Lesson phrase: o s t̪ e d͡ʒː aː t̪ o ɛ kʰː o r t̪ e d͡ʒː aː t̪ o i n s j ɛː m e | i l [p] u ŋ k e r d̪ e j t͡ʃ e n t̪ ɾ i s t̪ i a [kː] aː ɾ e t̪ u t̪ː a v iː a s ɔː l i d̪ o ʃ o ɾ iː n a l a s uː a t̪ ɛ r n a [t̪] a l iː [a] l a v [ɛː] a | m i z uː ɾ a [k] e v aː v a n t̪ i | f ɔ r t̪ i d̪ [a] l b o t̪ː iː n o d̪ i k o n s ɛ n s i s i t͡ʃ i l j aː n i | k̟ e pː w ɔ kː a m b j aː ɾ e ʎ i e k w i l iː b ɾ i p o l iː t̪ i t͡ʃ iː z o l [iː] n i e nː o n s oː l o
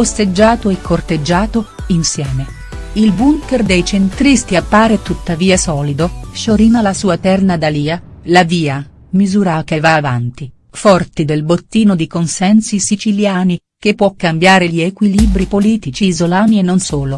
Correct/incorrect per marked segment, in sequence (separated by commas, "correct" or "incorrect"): incorrect, incorrect, incorrect, correct, incorrect, correct, incorrect, incorrect